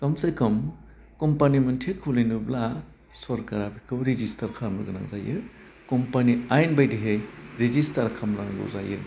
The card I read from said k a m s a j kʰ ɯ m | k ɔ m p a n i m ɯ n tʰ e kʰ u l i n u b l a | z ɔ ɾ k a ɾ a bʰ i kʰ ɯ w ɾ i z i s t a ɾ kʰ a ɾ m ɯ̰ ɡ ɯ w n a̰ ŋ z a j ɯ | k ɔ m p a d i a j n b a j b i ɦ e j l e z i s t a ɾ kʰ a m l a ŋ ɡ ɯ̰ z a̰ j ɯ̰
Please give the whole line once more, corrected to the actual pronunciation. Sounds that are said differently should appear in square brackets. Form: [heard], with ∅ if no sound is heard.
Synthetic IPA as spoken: k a m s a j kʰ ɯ m | k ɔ m p a n i m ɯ n tʰ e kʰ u l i n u b l a | [s] ɔ ɾ k a ɾ a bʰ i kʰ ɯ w ɾ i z i s t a ɾ kʰ a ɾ m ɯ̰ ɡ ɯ [∅] n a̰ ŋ z a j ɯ | k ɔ m p a [n] i a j n b a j [d] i ɦ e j [ɾ] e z i s t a ɾ kʰ a m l a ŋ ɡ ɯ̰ z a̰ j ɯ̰